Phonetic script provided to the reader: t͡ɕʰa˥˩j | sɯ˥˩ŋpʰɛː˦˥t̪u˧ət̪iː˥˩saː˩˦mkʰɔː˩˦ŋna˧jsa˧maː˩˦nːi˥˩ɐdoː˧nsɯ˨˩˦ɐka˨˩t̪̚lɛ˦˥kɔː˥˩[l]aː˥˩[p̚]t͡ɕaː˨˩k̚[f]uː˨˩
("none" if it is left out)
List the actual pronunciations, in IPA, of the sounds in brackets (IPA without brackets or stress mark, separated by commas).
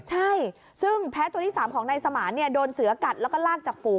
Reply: l, k̚, f